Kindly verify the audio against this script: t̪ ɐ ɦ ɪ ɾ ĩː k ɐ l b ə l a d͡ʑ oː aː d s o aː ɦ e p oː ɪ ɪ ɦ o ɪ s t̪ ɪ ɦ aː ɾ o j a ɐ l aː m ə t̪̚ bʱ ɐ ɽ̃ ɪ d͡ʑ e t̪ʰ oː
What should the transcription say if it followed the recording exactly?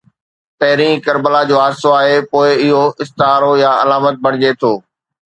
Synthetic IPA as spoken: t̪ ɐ ɦ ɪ ɾ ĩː k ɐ ɾ b ə l a d͡ʑ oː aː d s o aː ɦ e p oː ɪ ɪ ɦ o ɪ s t̪ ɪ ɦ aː ɾ o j a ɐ l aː m ə t̪̚ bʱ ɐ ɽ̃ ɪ d͡ʑ e t̪ʰ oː